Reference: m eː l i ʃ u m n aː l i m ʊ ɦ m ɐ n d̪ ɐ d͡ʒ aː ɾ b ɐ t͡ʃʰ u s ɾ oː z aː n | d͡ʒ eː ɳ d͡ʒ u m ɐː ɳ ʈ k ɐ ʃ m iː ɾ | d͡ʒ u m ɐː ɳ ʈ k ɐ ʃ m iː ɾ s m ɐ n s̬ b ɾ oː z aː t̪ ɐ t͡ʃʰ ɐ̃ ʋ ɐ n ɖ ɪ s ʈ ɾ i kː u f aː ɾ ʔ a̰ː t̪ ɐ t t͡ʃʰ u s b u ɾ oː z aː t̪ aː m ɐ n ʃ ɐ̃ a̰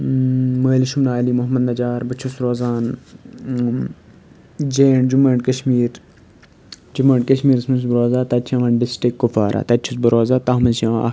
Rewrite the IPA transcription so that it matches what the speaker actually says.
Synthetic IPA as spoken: m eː l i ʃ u m n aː l i m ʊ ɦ m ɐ n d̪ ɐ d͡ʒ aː ɾ b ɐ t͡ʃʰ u s ɾ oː z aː n | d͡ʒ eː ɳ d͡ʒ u m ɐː ɳ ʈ k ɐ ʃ m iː ɾ | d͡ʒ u m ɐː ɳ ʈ k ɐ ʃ m iː ɾ s m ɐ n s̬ b ɾ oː z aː t̪ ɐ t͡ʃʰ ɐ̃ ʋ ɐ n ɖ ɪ s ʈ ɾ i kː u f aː ɾ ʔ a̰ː t̪ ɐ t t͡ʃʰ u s b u ɾ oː z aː t̪ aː m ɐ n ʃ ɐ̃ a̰